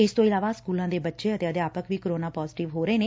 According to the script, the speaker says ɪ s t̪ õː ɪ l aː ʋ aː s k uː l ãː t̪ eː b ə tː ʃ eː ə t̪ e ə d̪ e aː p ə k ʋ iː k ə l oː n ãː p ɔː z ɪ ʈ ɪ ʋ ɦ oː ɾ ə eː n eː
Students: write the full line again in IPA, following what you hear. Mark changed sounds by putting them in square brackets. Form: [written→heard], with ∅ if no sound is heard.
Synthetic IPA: ɪ s t̪ õː ɪ l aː ʋ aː s k uː l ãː [t̪→d̪] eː b ə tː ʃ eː ə t̪ e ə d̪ e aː p ə k ʋ iː k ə [l→ɾ] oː n [ãː→aː] p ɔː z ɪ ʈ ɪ ʋ ɦ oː ɾ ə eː n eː